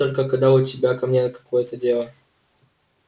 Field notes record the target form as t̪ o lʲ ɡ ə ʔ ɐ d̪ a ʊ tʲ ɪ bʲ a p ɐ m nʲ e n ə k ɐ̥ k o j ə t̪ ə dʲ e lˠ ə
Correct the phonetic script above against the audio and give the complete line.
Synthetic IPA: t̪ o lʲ k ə k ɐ d̪ a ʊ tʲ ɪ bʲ a k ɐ m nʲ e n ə k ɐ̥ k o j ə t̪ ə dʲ e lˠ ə